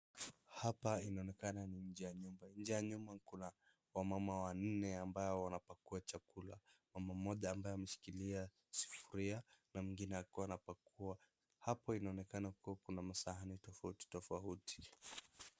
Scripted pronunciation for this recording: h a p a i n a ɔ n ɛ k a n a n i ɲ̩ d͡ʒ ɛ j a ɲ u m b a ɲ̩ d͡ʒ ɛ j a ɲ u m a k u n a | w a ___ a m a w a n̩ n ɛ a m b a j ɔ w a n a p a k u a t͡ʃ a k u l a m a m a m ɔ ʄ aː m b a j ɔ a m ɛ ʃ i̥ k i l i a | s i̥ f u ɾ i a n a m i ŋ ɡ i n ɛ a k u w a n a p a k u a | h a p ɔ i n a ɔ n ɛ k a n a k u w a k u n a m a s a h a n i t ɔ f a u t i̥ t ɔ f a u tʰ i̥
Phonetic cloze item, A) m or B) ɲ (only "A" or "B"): A